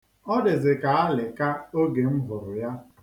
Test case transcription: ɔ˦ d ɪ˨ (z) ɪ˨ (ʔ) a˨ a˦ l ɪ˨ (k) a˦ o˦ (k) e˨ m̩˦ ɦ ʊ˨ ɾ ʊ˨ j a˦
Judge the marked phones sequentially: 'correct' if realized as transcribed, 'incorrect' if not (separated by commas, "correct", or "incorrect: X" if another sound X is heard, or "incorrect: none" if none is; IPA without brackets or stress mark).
correct, incorrect: k, correct, incorrect: ɡ